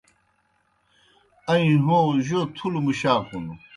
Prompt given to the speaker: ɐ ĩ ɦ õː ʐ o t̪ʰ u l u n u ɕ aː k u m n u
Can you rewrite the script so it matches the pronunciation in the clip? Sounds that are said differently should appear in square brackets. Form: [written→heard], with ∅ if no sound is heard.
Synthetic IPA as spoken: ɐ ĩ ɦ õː [ʐ→ʑ] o t̪ʰ u l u [n→m] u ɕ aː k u [m→∅] n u